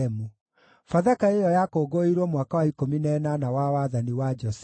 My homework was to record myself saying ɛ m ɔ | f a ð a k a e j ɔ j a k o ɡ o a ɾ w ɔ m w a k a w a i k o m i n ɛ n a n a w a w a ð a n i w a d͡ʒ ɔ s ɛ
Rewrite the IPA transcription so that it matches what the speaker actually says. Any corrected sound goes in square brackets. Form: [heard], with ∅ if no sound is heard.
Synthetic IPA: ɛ m [u] | f a ð a k a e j ɔ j a k o ɡ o [i] ɾ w ɔ m w a k a w a i k o m i n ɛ n a n a w a w a ð a n i w a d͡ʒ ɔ s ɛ